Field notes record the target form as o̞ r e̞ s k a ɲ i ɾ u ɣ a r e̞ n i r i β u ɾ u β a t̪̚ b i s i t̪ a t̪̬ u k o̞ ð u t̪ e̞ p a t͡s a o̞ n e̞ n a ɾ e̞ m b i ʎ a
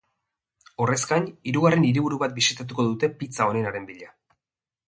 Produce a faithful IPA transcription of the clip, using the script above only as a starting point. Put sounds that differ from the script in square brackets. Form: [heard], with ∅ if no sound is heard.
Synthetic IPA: o̞ r e̞ s k a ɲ i ɾ u ɣ a r e̞ n i [ɾ] i β u ɾ u β a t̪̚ b i s i t̪ a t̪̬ u k o̞ ð u t̪ e̞ p [i] t͡s a o̞ n e̞ n a ɾ e̞ m b i ʎ a